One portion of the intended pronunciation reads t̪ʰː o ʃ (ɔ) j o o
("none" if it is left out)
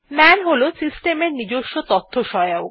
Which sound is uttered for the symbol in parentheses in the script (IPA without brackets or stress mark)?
ɔ